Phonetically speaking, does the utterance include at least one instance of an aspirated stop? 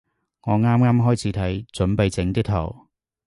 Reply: yes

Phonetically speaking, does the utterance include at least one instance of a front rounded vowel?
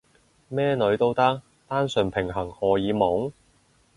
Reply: no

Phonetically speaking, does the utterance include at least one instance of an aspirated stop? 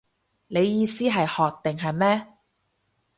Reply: no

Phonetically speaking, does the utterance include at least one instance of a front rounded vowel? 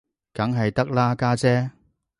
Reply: no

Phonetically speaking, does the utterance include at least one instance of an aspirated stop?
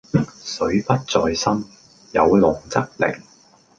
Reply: no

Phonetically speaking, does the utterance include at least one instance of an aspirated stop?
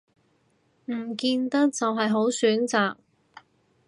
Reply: no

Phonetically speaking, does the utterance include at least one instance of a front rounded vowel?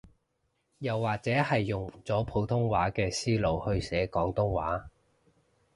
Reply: no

